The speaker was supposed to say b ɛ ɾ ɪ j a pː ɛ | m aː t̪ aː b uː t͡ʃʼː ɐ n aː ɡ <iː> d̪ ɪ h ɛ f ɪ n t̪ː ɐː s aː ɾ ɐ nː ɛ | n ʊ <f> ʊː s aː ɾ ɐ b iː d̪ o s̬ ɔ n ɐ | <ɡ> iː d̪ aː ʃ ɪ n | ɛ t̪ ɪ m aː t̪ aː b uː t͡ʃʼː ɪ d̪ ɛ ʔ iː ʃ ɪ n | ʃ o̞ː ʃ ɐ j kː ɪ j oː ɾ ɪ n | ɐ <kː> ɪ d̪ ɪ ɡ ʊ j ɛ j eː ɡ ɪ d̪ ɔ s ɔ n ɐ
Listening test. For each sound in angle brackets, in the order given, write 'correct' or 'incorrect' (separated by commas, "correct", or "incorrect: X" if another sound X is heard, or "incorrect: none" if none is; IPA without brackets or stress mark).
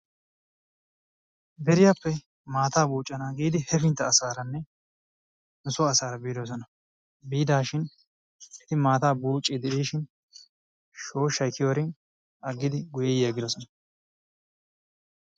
correct, incorrect: s, incorrect: b, incorrect: ɡː